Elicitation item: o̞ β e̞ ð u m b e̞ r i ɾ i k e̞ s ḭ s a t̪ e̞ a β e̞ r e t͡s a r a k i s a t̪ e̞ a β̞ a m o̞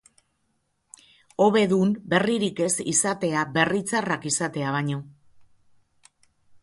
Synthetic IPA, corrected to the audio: o̞ β e̞ ð u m b e̞ r i ɾ i k e̞ s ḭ s a t̪ e̞ a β e̞ r i t͡s a r a k i s a t̪ e̞ a β̞ a ɲ o̞